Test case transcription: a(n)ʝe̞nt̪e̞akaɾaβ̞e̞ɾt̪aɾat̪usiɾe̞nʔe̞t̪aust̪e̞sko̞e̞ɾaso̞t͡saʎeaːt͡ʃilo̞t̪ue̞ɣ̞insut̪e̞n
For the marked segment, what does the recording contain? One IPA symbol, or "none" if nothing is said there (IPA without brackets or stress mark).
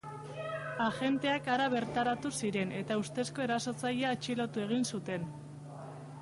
none